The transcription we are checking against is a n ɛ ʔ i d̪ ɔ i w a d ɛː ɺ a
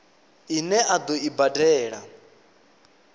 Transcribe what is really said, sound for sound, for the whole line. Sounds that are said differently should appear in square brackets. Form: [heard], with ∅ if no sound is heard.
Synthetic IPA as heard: [i] n ɛ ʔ [a] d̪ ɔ i [b] a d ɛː ɺ a